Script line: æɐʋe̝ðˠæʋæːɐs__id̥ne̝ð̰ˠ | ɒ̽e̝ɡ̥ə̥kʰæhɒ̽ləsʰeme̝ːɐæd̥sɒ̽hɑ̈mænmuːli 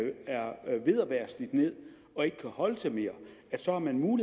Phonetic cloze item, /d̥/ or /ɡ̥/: d̥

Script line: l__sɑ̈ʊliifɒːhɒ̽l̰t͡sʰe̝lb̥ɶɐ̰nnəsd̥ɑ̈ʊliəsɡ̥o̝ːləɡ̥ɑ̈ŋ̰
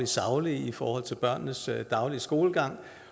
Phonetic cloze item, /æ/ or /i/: i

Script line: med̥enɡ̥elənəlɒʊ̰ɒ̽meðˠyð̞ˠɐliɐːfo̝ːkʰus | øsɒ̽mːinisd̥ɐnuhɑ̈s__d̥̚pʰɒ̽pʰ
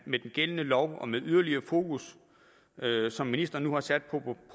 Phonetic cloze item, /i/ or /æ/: æ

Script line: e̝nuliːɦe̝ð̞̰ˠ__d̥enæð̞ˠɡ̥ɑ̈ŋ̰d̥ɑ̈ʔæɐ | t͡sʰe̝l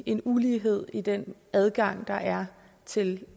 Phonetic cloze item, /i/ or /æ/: i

